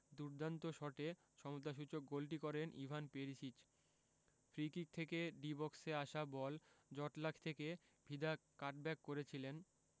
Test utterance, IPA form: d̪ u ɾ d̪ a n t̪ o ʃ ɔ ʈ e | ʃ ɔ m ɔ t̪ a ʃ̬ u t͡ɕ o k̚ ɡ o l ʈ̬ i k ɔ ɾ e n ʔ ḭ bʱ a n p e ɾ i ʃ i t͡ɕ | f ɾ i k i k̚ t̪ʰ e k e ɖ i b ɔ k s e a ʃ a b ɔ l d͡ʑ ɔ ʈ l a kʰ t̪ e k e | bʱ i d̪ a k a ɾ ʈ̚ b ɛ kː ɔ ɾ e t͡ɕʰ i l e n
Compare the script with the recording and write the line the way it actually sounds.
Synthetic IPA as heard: d̪ u ɾ d̪ a n t̪ o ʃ ɔ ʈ e | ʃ ɔ m o t̪ a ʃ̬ u t͡ɕ o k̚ ɡ o l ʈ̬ i k ɔ ɾ e n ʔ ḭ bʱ a n p e ɾ i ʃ i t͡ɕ | f ɾ i k i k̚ t̪ʰ e k e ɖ i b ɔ k s e a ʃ a b ɔ l d͡ʑ ɔ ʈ l a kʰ t̪ʰ e k e | bʱ i d̪ a k a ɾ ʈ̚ b ɛ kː o ɾ e t͡ɕʰ i l e n